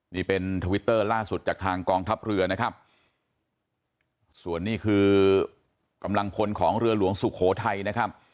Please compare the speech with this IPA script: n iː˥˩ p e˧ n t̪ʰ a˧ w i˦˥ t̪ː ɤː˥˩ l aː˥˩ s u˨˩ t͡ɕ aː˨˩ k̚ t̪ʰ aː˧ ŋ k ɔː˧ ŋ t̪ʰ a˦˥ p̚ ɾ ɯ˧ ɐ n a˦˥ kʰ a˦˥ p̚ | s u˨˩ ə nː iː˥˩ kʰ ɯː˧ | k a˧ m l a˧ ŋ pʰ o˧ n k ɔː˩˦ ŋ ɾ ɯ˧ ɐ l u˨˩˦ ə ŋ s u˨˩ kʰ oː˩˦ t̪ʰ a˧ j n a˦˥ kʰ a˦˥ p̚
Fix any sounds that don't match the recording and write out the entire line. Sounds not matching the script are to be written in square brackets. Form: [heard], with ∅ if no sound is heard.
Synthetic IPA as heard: n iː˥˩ p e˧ n t̪ʰ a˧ w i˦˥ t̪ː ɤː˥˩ l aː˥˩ s u˨˩ t͡ɕ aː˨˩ k̚ t̪ʰ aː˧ ŋ k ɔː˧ ŋ t̪ʰ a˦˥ p̚ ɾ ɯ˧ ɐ n a˦˥ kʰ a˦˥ p̚ | s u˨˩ ə nː iː˥˩ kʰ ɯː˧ | k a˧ m l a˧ ŋ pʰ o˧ n [kʰ] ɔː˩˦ ŋ ɾ ɯ˧ ɐ l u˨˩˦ ə ŋ s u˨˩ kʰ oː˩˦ t̪ʰ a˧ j n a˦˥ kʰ a˦˥ p̚

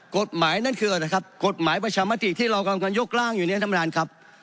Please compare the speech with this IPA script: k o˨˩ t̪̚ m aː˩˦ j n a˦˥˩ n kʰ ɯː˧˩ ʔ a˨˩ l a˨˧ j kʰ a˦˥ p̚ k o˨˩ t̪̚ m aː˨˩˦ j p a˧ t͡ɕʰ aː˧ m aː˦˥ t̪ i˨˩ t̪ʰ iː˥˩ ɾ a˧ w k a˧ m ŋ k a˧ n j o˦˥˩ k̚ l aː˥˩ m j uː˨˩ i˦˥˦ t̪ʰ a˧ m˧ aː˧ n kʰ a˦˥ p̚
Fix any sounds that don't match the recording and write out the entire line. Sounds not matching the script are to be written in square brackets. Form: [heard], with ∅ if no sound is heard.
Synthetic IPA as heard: k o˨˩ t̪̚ m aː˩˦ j n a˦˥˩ n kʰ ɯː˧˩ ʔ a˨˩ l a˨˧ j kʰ a˦˥ p̚ k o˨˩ t̪̚ m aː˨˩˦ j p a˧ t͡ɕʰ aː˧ m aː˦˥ t̪ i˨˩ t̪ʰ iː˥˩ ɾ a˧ w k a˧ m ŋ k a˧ n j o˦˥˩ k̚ l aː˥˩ [ŋ] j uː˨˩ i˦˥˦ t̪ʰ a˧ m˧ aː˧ n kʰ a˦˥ p̚

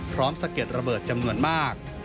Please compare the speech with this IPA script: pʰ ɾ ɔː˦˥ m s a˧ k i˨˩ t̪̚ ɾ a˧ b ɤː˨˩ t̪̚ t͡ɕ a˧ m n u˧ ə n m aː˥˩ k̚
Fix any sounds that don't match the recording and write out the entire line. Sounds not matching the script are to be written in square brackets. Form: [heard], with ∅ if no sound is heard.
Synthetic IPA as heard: pʰ ɾ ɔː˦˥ m s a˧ k [e˨˩] t̪̚ ɾ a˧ b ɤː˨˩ t̪̚ t͡ɕ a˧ m n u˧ ə n m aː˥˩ k̚

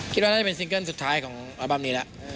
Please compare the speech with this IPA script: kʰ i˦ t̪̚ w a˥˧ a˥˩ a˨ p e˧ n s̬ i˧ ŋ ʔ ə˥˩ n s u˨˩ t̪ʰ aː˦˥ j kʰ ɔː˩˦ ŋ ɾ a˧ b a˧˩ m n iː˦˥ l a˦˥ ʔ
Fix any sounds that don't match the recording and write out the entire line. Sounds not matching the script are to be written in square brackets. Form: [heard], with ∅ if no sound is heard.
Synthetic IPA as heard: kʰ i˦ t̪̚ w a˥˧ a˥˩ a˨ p e˧ n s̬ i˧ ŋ [k] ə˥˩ n s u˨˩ t̪ʰ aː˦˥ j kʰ ɔː˩˦ ŋ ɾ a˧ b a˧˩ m n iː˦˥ l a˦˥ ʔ

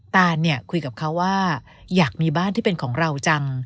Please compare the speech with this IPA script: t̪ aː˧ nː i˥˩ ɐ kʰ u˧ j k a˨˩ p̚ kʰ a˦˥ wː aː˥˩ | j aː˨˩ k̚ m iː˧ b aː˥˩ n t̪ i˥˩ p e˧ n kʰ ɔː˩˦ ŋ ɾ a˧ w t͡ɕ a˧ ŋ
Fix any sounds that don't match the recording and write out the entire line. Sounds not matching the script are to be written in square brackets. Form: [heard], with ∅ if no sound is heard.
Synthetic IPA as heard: t̪ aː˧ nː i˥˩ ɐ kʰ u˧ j k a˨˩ p̚ kʰ a˦˥ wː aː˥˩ | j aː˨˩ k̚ m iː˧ b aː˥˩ n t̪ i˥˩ p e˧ n kʰ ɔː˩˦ ŋ ɾ a˧ w t͡ɕ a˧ ŋ

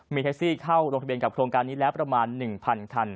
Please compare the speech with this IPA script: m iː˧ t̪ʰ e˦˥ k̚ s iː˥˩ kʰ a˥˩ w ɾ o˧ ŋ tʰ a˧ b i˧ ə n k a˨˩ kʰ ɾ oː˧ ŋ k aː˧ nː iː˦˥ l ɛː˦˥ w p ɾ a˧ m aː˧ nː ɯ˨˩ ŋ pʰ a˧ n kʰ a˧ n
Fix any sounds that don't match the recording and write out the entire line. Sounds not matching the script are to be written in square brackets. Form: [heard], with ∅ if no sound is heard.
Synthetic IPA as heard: m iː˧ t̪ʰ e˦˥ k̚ s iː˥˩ kʰ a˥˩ w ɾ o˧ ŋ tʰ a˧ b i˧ ə n k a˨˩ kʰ ɾ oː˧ ŋ k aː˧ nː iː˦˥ l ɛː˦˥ w p ɾ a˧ m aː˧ nː ɯ˨˩ ŋ pʰ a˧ n kʰ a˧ n

